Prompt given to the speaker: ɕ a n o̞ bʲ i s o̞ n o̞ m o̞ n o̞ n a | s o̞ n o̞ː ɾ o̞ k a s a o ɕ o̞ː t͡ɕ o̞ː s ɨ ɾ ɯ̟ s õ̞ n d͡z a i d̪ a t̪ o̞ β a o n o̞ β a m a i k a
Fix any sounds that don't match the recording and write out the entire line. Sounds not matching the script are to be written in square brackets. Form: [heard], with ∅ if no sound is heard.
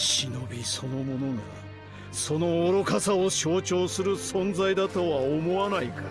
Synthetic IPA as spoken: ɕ [i] n o̞ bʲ i s o̞ n o̞ m o̞ n o̞ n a | s o̞ n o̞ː ɾ o̞ k a s a o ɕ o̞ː t͡ɕ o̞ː s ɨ ɾ ɯ̟ s õ̞ n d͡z a i d̪ a t̪ o̞ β a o [m] o̞ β a [n] a i k a

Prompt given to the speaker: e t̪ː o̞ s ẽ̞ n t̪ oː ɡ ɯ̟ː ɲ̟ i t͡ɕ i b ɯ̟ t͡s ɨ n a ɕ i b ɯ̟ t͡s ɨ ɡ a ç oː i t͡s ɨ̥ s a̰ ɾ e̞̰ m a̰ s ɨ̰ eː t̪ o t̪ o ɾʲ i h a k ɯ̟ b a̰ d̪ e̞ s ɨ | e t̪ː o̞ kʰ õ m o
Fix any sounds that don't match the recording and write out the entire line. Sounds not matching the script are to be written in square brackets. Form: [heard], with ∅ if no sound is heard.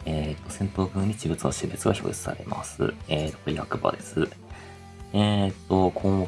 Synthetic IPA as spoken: e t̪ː o̞ s ẽ̞ n t̪ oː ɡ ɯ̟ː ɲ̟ i t͡ɕ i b ɯ̟ t͡s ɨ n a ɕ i b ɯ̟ t͡s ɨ ɡ a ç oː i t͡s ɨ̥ s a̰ ɾ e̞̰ m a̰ s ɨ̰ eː t̪ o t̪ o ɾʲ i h a k ɯ̟ b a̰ d̪ e̞ s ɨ | e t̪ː o̞ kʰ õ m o

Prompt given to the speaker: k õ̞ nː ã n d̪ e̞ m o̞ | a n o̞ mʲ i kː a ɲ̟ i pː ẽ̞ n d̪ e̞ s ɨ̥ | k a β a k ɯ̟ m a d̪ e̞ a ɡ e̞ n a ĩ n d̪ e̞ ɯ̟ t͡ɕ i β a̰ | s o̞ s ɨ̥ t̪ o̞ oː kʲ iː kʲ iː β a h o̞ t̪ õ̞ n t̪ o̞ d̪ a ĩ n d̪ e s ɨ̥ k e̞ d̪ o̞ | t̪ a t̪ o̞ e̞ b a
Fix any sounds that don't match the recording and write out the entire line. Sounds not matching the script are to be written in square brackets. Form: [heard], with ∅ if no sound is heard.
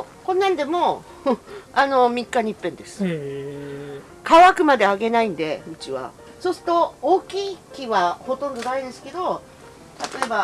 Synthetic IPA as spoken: k õ̞ nː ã n d̪ e̞ m o̞ | a n o̞ mʲ i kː a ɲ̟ i pː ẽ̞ n d̪ e̞ s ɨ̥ | k a β a k ɯ̟ m a d̪ e̞ a ɡ e̞ n a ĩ n d̪ e̞ ɯ̟ t͡ɕ i β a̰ | s o̞ s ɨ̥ t̪ o̞ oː kʲ iː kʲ [i] β a h o̞ t̪ õ̞ n [d̪] o̞ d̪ a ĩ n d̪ e s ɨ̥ k e̞ d̪ o̞ | t̪ a t̪ o̞ e̞ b a

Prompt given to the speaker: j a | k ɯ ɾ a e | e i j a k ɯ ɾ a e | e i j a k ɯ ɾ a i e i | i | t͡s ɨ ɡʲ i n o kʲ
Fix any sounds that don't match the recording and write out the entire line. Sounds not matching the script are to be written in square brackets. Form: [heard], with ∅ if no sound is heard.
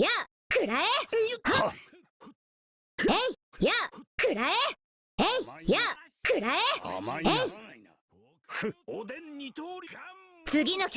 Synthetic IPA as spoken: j a | k ɯ ɾ a e | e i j a k ɯ ɾ a e | e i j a k ɯ ɾ a [e] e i | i | t͡s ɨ ɡʲ i n o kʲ

